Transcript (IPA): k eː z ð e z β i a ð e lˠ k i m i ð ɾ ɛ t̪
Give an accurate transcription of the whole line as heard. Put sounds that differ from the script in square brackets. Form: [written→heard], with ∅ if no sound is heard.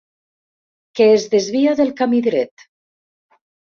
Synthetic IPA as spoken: k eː z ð e z β i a ð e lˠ k [i→a] m i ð ɾ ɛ t̪